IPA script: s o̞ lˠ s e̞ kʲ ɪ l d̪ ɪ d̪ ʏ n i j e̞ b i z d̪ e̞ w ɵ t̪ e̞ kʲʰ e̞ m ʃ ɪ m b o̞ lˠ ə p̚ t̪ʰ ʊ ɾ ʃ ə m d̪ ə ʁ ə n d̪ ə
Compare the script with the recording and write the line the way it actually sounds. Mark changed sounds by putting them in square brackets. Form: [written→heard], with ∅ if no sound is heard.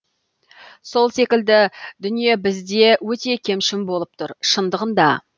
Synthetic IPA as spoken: s o̞ lˠ s e̞ kʲ ɪ l d̪ ɪ d̪ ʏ n i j e̞ b [i→ɪ] z d̪ e̞ w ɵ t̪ e̞ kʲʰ e̞ m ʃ ɪ m b o̞ lˠ ə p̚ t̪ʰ ʊ ɾ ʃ ə [m→n] d̪ ə ʁ ə n d̪ [ə→ɑ]